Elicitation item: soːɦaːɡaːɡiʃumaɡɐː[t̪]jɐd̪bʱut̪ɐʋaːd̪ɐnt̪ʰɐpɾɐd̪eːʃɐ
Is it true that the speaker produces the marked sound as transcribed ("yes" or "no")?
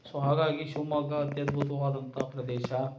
yes